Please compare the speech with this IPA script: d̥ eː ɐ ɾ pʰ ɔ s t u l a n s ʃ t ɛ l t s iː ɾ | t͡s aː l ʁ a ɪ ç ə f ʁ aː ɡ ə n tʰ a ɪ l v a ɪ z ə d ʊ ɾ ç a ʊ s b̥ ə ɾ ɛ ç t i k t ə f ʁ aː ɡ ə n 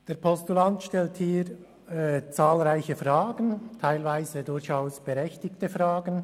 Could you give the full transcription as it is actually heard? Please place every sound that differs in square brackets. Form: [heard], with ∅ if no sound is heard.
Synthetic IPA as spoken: d̥ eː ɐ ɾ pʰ ɔ s t u l a n [t] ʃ t ɛ l t [h] iː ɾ | t͡s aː l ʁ a ɪ ç ə f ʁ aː ɡ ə n tʰ a ɪ l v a ɪ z ə d ʊ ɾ ç a ʊ s b̥ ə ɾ ɛ ç t [ɪ] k t ə f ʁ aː ɡ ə n